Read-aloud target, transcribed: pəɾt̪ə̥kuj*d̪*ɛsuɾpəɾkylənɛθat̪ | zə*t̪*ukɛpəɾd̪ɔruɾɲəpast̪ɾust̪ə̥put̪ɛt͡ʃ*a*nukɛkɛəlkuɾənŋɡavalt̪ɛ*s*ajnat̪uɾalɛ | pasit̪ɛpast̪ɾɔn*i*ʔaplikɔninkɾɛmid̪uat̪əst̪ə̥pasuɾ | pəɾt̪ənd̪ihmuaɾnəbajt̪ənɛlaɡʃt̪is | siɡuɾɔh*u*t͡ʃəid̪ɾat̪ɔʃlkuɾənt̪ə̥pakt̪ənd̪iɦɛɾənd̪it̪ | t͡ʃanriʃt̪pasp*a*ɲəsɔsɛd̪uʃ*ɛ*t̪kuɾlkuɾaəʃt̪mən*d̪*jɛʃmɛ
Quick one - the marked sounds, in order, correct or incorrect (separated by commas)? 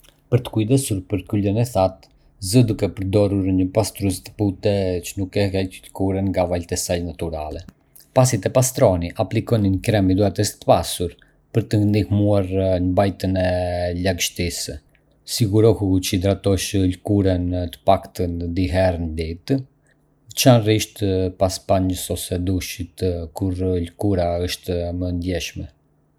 correct, incorrect, incorrect, correct, correct, correct, correct, incorrect, correct